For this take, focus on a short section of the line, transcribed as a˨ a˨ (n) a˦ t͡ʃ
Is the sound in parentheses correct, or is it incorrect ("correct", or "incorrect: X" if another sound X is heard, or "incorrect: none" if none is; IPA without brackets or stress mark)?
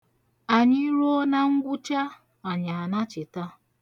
correct